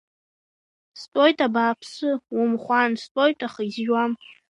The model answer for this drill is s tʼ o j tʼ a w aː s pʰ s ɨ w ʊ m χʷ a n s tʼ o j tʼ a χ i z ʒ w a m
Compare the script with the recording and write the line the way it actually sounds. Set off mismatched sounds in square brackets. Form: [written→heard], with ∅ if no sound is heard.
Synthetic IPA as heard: s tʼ o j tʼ a [w→b] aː [s→∅] pʰ s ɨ w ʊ m χʷ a n s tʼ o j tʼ a χ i z ʒ w a m